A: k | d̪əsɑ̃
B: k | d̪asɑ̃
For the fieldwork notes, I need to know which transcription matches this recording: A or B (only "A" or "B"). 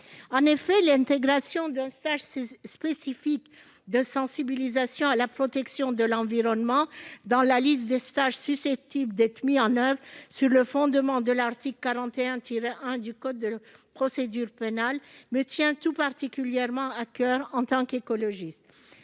A